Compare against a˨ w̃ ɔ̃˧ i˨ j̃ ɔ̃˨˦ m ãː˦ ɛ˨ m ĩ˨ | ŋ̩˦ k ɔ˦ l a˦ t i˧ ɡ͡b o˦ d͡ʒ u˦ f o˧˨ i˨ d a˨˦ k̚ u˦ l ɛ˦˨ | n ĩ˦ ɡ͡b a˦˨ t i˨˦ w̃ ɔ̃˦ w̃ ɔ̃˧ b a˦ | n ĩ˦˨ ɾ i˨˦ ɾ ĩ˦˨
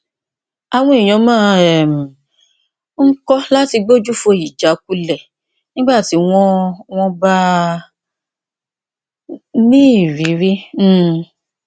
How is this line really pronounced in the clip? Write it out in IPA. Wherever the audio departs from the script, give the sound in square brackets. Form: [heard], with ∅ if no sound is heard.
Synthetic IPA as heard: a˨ w̃ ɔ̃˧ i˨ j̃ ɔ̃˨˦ m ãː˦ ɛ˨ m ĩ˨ | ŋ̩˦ k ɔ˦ l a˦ t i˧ ɡ͡b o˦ d͡ʒ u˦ f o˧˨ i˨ [d͡ʒ] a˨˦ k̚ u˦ l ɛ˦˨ | n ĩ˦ ɡ͡b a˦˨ t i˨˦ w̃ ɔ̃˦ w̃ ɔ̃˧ b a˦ | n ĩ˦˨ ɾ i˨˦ ɾ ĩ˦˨